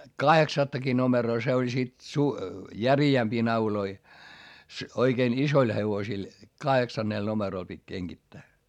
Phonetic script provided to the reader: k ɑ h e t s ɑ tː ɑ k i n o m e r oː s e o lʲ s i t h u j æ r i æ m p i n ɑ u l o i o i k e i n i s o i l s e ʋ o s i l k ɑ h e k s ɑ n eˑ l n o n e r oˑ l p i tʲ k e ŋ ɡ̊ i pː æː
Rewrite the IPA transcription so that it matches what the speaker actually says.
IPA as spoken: k ɑ h e k s ɑ tː ɑ k i n o m e r oː s e o lʲ s i t s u j æ r i æ m p iː n ɑ u l o i o i k e i n i s o i l h e ʋ o s i l k ɑ h e k s ɑ nː eˑ l n o m e r oˑ l p i tʲ k e ŋ ɡ̊ i tː æː

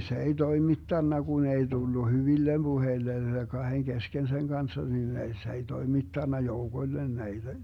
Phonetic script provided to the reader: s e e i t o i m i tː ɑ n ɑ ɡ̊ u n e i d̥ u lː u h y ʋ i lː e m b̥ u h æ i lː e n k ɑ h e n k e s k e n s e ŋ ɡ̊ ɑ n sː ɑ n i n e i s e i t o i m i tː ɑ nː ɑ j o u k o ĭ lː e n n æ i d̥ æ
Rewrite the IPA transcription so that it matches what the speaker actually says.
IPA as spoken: s e e i t o i m i tː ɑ nː ɑ ɡ̊ u n e i d̥ u lː u h y ʋ i lː e m b̥ u h e i lː e n k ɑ h e ŋ k e s k e n s e ŋ ɡ̊ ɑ n sː ɑ n i n e i s e i t o i m i tː ɑ nː ɑ j o u k o ĭ lː e n n æ i d̥ æ

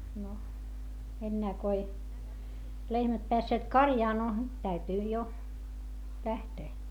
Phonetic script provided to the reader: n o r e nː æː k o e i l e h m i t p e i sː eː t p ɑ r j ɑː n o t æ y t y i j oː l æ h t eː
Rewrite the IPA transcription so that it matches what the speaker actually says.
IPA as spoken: n o e nː æː k o e i l e h m æ t p e æ sː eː t k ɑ r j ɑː n o t æ y t y i j o l æ h t eː

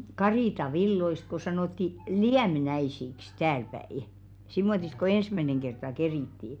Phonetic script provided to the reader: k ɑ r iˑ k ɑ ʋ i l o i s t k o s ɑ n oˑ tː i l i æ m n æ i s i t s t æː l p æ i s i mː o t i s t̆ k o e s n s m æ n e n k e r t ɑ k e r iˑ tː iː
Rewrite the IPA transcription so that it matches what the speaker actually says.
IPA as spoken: k ɑ r iˑ t ɑ ʋ i lː o i s t k o s ɑ n oˑ tː i l i æ m n æ i s i k s t æː l p æ i s i mː o t i s t̆ k o e n s m æ n e ŋ k e r t ɑ k e r iˑ tː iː

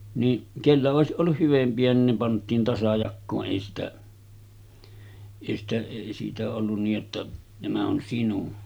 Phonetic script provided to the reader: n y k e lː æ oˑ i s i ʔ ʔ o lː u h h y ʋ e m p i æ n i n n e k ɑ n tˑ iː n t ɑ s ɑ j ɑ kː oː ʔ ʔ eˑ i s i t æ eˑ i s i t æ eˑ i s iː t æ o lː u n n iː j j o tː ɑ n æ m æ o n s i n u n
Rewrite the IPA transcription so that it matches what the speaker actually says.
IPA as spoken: n i k e lː æ oˑ e s i ʔ ʔ o lː u h h y ʋ e m p i æ n i n n e p ɑ n tˑ iː n t ɑ s ɑ j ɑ kː oː ʔ ʔ eˑ i s i t æ eˑ i s i t æ eˑ i s iː t æ o lː u n n iː j j o tː ɑ n æ m æ o n s i n u n

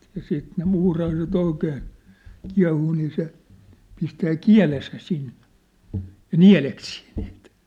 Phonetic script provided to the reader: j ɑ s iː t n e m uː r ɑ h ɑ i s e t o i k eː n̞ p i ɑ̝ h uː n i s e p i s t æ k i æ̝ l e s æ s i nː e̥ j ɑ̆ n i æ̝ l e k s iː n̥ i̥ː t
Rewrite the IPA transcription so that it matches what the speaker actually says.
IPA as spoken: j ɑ s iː t n e m uː r ɑ h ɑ i s e t o i k eː n̞ k i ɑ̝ h uː n iː s e p i s t æː k i æ̝ l e s æ s i nː e̥ j ɑ̆ n i æ̝ l e k s iː n̥ i̥ː t

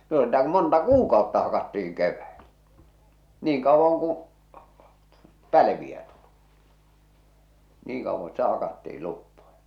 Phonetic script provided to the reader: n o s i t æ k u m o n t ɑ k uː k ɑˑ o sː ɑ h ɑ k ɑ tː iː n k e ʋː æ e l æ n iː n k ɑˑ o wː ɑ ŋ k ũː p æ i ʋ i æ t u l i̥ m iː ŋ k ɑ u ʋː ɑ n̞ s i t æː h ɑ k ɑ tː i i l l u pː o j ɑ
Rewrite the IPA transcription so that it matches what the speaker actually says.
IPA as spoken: n o s i t æ k u m o n t ɑ k uː k ɑˑ o tː ɑ h ɑ k ɑ tː iː ŋ k e ʋː æ e l æ n iː ŋ k ɑˑ o wː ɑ ŋ k ũː p æ i ʋ i æ t u l i̥ n iː ŋ k ɑ u ʋː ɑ n̞ s i t æ h ɑ k ɑ tː i i l l u pː o j ɑ

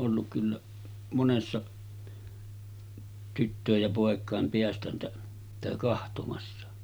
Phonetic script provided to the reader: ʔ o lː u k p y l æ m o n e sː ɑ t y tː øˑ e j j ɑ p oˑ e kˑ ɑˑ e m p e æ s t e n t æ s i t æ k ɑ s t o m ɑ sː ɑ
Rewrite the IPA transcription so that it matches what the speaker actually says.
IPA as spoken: ʔ o lː u k k y lː æ m o n e sː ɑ t y tː øˑ e j j ɑ p oˑ e kˑ ɑˑ e m p e æ s t æ n t æ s i t æ k ɑ h t o m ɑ sː ɑ

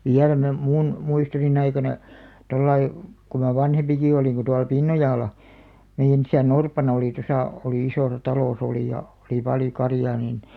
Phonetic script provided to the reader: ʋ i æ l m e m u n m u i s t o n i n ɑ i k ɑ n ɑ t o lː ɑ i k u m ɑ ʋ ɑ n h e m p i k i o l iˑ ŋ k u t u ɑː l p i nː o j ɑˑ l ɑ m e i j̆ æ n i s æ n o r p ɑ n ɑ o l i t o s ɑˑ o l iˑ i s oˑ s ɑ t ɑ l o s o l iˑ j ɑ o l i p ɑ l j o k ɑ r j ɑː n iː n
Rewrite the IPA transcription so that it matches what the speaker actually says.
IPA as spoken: ʋ i æ l m e m u n m u i s t o n i n ɑ i k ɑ n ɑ t o lː ɑ i k u m ɑ ʋ ɑ n h e m p i k i o l iˑ ŋ k u t u ɑ l p i nː o j ɑˑ l ɑ m e i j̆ æ n i s æ n o r p ɑ n ɑ o l i t o s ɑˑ o l iˑ i s oˑ s ɑ t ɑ l o s o l iˑ j ɑ o l i p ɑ l j o k ɑ r j ɑː n iː n

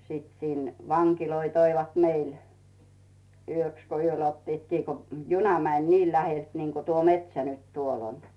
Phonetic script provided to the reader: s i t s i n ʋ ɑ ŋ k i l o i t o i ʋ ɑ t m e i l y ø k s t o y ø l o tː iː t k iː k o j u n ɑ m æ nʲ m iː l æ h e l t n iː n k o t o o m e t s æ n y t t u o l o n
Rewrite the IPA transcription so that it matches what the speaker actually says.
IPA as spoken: s i t s i n ʋ ɑ ŋ k i l o i t o i ʋ ɑ t m e i l y ø k s k o y ø l o tː iː t k iː k o j u n ɑ m æ nʲ n iː l æ h e l t n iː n k o t u o m e t s æ n y t t u o l o n

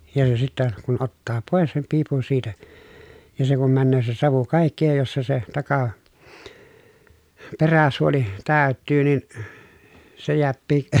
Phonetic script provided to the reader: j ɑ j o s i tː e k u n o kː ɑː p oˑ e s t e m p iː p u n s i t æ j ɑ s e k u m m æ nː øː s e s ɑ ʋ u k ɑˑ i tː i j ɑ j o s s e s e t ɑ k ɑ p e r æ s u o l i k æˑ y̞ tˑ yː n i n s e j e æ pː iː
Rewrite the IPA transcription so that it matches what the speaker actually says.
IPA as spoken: j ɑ j o s i tː æ k u n o tː ɑː p oˑ e s s e m p iː p u n s iː t æ j ɑ s e k u m m æ nː øː s e s ɑ ʋ u k ɑˑ i kː i j ɑ j o s s e s e t ɑ k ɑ p e r æ s u o l i t æˑ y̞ tˑ yː n i n s e j e æ pː iː

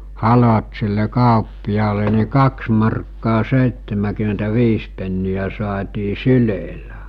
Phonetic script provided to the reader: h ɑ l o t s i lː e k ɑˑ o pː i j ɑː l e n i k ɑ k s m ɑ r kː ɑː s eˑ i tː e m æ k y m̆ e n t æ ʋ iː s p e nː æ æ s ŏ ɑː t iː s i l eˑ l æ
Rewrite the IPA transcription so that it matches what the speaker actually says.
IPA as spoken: h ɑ l o t s i lː e k ɑˑ o pː i j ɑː l e n i k ɑ k s m ɑ r kː ɑː s eˑ i tː e m æ k y m̆ e n t æ ʋ iː s p e nː i æ s ŏ ɑː t iː s y l eˑ l æ

